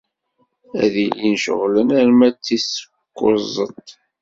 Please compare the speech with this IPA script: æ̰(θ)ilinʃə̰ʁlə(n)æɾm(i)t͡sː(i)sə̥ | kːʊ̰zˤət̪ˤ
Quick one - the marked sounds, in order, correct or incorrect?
incorrect: ð, correct, incorrect: æ, correct

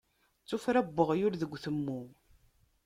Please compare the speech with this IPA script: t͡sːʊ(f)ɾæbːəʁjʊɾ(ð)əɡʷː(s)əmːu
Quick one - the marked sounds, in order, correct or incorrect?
correct, correct, incorrect: θ

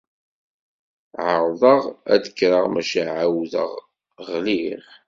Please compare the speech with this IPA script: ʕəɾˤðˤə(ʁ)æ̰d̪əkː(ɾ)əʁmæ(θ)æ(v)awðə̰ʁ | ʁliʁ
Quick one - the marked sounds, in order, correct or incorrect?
correct, correct, incorrect: ʃ, incorrect: ʕ

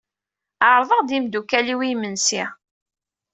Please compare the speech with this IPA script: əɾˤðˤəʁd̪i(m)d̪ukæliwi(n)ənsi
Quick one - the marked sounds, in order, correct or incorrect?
correct, incorrect: m

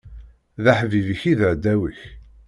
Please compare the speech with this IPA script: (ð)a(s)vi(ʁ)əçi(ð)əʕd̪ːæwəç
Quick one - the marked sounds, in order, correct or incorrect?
correct, incorrect: ħ, incorrect: v, correct

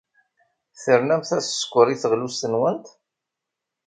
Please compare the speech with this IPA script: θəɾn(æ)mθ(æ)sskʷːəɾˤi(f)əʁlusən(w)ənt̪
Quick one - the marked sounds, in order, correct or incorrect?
correct, correct, incorrect: θ, correct

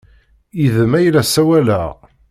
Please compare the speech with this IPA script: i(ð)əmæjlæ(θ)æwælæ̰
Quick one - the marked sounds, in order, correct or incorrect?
correct, incorrect: s

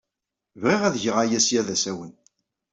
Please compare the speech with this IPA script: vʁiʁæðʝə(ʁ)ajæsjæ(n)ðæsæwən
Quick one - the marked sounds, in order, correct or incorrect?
correct, incorrect: none

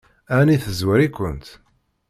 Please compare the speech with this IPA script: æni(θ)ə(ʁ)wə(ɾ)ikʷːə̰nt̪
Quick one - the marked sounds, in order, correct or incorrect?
correct, incorrect: z, correct

